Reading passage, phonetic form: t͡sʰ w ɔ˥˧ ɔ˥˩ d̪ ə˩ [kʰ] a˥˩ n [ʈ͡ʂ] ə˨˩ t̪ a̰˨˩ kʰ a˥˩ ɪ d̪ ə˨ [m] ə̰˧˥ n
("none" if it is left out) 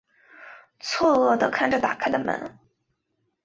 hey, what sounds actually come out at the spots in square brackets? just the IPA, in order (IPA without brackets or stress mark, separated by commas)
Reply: kʰ, ʈ͡ʂ, m